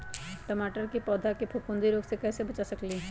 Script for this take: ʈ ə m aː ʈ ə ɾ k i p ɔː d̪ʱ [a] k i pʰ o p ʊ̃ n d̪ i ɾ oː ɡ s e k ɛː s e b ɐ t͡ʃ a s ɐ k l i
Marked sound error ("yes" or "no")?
no